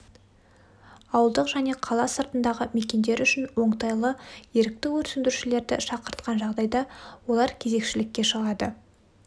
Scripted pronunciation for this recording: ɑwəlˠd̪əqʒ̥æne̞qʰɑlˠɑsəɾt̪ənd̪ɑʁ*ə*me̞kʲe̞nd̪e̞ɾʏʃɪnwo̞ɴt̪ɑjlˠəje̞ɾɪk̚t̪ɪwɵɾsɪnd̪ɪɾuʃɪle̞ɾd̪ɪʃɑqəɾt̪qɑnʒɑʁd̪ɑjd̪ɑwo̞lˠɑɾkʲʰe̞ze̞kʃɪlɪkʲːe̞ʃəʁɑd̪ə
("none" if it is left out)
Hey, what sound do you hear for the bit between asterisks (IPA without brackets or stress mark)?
ə